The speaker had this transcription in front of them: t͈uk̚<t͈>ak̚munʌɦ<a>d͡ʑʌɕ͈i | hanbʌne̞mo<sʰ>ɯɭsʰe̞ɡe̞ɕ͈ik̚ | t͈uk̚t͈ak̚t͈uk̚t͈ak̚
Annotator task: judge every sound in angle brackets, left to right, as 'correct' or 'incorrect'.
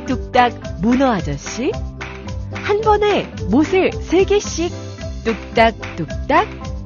correct, correct, correct

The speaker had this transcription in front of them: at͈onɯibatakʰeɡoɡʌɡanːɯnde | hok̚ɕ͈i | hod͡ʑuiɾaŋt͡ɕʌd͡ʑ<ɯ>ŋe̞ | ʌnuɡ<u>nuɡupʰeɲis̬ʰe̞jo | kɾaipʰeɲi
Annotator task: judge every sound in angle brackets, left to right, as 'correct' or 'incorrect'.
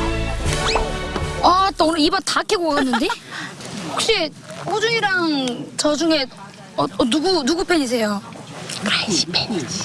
incorrect: u, correct

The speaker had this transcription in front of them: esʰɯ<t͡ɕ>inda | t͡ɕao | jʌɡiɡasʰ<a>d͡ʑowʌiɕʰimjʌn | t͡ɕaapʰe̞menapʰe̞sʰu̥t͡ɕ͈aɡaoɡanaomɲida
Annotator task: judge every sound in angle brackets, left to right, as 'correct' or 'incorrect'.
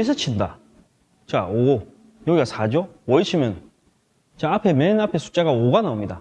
incorrect: t͡ɕʰ, correct

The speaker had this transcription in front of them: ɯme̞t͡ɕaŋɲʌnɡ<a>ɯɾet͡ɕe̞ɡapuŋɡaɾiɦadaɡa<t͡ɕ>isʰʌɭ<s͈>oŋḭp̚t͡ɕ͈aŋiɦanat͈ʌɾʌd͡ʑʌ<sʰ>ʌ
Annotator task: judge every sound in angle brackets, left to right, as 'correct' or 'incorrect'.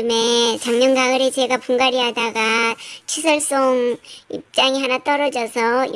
correct, incorrect: t͡ɕʰ, correct, correct

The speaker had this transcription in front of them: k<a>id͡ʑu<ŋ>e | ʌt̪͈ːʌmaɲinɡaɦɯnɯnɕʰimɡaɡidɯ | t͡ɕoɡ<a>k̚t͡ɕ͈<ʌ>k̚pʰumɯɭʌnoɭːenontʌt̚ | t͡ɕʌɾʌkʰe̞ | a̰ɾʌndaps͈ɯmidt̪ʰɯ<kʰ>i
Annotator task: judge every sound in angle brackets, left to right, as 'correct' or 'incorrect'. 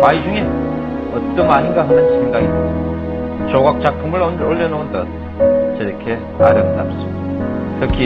correct, correct, correct, incorrect: a, correct

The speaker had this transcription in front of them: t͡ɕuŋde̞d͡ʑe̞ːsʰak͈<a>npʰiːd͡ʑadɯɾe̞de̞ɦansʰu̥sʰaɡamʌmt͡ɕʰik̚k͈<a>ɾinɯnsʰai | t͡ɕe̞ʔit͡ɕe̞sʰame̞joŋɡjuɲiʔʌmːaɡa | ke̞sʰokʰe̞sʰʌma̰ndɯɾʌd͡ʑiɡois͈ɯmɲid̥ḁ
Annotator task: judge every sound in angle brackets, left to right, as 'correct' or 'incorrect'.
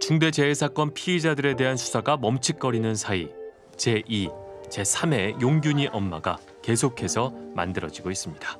incorrect: ʌ, incorrect: ʌ

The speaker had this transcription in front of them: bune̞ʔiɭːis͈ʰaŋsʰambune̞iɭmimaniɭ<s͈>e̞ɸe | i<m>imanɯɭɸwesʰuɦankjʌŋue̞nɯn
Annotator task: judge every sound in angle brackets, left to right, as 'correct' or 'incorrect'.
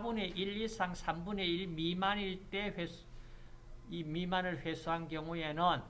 incorrect: t͈, correct

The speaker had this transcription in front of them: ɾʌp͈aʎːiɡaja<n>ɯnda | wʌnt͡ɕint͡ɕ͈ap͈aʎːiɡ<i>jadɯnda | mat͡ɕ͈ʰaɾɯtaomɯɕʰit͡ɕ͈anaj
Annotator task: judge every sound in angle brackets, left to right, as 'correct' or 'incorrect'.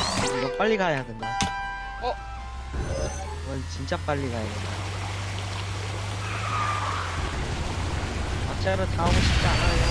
incorrect: d, incorrect: a

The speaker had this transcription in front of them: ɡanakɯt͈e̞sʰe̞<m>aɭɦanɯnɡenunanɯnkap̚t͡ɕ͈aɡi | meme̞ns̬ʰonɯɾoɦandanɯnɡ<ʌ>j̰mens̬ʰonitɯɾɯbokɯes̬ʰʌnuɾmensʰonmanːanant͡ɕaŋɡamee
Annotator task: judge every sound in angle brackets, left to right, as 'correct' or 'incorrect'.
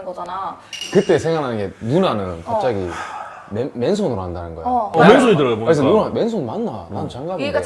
incorrect: ŋ, correct

